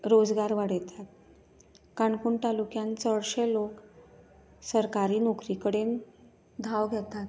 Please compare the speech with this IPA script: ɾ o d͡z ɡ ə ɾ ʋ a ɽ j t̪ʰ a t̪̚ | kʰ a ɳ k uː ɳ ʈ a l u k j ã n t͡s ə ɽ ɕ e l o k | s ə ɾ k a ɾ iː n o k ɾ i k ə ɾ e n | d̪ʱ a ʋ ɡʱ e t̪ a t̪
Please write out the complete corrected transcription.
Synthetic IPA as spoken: ɾ o d͡z ɡ a ɾ ʋ a ɽ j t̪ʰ a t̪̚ | k a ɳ k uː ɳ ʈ a l u k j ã n t͡s ə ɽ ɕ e l o k | s ə ɾ k a ɾ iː n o k ɾ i k ə ɽ e n | d̪ʱ a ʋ ɡʱ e t̪ a t̪